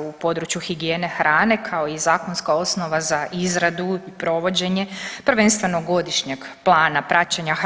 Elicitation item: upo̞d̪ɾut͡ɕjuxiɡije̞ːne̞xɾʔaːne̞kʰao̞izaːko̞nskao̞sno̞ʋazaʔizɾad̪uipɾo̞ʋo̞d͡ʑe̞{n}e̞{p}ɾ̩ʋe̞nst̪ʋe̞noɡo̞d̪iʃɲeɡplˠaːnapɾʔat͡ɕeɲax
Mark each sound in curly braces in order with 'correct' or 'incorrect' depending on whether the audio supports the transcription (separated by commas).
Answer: incorrect, correct